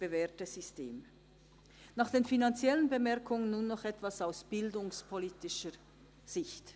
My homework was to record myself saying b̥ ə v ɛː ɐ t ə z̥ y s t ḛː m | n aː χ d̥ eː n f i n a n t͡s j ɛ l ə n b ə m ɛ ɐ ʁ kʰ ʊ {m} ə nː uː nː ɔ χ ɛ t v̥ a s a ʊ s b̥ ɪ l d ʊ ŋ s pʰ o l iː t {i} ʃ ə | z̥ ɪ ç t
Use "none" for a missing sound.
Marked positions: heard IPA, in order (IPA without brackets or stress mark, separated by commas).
ŋ, ɪ